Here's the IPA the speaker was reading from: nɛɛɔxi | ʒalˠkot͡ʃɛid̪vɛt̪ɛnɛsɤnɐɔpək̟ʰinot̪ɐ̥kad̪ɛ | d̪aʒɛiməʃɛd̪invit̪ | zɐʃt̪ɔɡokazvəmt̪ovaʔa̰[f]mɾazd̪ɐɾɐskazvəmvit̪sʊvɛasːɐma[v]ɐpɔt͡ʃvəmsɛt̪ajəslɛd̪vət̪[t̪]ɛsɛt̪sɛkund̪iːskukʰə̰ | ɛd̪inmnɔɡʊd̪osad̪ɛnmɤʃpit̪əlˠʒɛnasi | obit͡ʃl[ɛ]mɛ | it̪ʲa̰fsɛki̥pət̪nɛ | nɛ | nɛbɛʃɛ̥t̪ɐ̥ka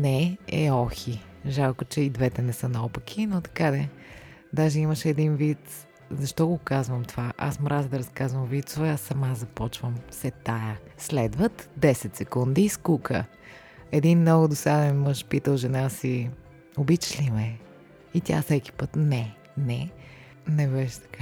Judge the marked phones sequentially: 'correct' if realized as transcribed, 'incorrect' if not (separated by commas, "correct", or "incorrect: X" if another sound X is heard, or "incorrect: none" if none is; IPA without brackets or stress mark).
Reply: incorrect: s, incorrect: z, incorrect: d̪, incorrect: i